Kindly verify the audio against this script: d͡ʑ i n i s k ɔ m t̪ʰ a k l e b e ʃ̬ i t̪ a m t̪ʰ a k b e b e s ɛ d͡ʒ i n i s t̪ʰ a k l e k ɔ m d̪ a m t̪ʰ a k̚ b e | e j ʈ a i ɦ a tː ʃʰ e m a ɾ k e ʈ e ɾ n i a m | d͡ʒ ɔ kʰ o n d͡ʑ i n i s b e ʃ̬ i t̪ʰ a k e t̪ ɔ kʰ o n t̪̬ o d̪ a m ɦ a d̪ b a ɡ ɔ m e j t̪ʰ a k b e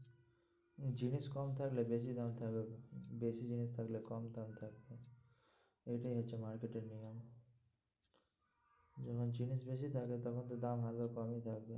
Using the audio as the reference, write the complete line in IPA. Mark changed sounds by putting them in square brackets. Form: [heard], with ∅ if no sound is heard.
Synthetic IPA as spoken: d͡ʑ i n i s k ɔ m t̪ʰ a k l e b e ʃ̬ i [d̪] a m t̪ʰ a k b e b e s [i] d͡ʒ i n i s t̪ʰ a k l e k ɔ m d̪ a m t̪ʰ a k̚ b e | e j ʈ a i ɦ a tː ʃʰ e m a ɾ k e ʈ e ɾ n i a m | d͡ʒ ɔ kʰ o n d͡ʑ i n i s b e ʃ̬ i t̪ʰ a k e t̪ ɔ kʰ o n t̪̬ o d̪ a m ɦ a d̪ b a [k] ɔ m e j t̪ʰ a k b e